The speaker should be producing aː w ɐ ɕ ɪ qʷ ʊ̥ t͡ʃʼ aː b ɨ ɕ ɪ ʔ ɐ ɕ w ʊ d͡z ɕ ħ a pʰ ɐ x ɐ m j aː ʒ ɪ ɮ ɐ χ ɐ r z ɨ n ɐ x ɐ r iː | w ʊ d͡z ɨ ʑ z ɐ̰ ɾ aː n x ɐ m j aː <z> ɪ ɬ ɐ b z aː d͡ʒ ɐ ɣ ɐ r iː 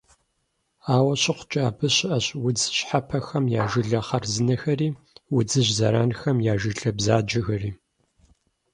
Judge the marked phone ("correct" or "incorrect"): incorrect